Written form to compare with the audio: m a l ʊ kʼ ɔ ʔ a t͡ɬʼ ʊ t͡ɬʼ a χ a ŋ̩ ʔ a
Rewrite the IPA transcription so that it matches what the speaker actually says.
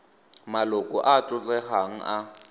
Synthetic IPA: m a l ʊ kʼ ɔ ʔ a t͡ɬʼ ʊ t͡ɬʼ ɛ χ a ŋ̩ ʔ a